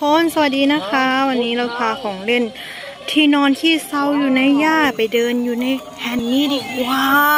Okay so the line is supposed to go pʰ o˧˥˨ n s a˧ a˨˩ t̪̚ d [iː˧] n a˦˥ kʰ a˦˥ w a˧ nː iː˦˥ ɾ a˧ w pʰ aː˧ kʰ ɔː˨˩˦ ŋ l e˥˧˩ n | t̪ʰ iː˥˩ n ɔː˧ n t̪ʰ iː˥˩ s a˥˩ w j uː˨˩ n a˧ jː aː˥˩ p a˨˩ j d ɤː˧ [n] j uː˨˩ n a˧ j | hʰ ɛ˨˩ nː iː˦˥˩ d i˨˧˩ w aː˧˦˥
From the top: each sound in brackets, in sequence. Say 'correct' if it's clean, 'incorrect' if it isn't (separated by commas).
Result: correct, correct